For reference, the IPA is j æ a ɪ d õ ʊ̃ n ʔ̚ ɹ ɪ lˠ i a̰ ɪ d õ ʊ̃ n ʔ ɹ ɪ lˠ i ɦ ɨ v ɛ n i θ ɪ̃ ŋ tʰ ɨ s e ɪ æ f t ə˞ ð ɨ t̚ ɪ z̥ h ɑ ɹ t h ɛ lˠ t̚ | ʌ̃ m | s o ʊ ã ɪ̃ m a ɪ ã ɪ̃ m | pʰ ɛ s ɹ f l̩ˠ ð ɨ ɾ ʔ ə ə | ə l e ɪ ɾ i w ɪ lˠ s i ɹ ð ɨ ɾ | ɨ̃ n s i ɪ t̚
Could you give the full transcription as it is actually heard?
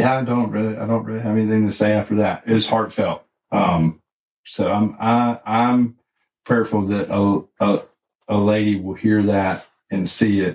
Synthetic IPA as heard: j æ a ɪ d õ ʊ̃ n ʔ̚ ɹ ɪ lˠ i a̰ ɪ d õ ʊ̃ n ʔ ɹ ɪ lˠ i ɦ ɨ v ɛ n i θ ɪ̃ ŋ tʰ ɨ s e ɪ æ f t ə˞ ð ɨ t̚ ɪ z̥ h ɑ ɹ t f ɛ lˠ t̚ | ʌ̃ m | s o ʊ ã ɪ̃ m a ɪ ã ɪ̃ m | pʰ ɛ ɹ f l̩ˠ ð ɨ ɾ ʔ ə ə | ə l e ɪ ɾ i w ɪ lˠ h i ɹ ð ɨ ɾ | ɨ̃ n s i ɪ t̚